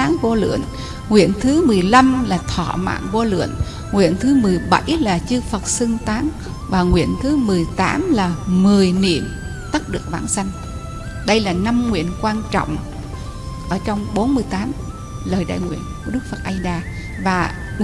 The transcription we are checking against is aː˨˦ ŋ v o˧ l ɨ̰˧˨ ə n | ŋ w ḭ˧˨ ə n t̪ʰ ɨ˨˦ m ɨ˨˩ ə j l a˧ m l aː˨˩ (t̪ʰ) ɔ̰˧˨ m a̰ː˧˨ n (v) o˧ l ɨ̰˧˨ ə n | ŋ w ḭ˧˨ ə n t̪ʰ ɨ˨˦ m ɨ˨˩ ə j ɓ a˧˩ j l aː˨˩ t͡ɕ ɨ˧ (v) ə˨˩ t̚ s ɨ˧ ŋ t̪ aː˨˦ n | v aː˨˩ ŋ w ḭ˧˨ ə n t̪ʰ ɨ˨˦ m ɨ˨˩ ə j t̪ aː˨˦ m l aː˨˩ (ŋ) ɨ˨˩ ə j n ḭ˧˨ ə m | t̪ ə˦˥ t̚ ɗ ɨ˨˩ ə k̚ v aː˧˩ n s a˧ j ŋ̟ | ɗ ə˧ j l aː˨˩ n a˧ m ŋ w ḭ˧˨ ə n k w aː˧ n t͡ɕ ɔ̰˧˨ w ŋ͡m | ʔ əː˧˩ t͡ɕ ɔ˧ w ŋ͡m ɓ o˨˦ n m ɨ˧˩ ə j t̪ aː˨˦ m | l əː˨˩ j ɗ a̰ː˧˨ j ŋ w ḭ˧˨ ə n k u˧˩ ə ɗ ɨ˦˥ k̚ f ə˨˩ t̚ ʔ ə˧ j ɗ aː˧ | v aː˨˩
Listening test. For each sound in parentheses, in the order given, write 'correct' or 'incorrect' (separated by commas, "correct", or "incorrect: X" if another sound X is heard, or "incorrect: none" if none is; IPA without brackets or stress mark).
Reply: correct, correct, incorrect: f, incorrect: m